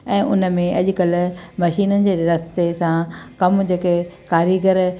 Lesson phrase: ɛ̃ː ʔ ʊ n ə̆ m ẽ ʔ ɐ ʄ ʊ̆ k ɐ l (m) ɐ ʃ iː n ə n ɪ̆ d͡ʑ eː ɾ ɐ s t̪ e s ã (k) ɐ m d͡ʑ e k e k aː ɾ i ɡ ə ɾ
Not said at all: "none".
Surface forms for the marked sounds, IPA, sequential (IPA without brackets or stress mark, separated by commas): m, k